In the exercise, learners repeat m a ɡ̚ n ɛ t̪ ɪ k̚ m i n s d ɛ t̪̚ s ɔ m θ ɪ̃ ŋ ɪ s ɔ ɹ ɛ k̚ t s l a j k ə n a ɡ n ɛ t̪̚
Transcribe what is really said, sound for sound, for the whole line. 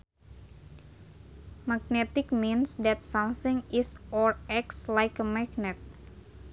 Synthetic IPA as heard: m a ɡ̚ n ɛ t̪ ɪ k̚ m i n s d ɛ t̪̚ s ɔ m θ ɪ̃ ŋ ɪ s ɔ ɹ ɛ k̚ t s l a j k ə m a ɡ n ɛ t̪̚

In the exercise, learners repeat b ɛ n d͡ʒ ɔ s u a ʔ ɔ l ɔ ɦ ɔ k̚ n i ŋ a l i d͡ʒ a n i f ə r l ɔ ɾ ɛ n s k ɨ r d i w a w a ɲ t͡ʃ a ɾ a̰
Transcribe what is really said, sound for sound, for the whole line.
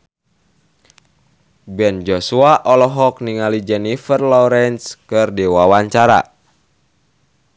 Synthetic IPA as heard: b ɛ n d͡ʒ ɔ s u a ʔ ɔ l ɔ ɦ ɔ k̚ n i ŋ a l i d͡ʒ ɛ n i f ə r l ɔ ɾ ɛ n s k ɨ r d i w a w a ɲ t͡ʃ a ɾ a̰

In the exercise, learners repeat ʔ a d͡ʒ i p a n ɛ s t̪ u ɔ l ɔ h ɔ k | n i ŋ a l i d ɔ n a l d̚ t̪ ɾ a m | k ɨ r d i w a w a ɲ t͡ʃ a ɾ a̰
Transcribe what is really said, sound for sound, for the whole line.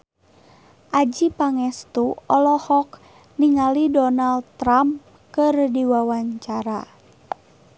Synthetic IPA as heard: ʔ a d͡ʒ i p a ŋ ɛ s t̪ u ɔ l ɔ h ɔ k | n i ŋ a l i d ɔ n a l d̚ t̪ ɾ a m | k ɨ r d i w a w a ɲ t͡ʃ a ɾ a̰

